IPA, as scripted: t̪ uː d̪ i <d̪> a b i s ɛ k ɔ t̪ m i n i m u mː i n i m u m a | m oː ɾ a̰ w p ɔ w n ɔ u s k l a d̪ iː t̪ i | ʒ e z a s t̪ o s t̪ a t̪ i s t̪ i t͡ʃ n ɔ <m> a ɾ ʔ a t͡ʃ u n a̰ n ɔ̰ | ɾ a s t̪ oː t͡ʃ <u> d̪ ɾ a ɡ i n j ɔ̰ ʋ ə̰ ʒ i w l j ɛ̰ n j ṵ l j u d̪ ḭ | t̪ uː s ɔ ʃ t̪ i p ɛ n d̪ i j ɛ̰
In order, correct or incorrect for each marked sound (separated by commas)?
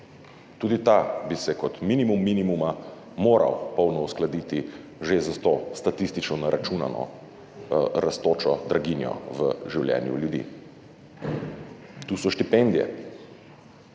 incorrect, incorrect, incorrect